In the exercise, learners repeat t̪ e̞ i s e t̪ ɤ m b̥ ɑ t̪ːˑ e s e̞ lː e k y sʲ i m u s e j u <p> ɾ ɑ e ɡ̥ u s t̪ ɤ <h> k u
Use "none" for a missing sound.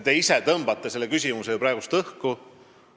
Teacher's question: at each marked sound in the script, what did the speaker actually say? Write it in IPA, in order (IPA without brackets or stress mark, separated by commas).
p, h